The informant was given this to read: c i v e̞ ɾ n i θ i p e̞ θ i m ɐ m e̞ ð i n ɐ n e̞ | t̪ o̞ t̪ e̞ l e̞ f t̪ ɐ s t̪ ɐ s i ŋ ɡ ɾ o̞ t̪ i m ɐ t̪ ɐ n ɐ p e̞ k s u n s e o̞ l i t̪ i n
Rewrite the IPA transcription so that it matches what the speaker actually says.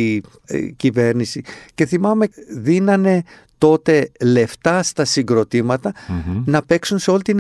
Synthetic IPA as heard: c i v e̞ ɾ n i s i c e̞ θ i m ɐ m e̞ ð i n ɐ n e̞ | t̪ o̞ t̪ e̞ l e̞ f t̪ ɐ s t̪ ɐ s i ŋ ɡ ɾ o̞ t̪ i m ɐ t̪ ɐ n ɐ p e̞ k s u n s e o̞ l i t̪ i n